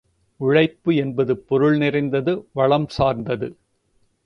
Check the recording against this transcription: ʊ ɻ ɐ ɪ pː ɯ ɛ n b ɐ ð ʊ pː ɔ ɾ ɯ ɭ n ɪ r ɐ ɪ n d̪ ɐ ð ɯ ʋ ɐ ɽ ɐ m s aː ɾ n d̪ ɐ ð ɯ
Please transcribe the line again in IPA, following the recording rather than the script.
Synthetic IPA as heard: ʊ ɻ ɐ ɪ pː ɯ ɛ n b ɐ ð ɯ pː ɔ ɾ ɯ ɭ n ɪ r ɐ ɪ n d̪ ɐ ð ɯ ʋ ɐ ɭ ɐ m s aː ɾ n d̪ ɐ ð ɯ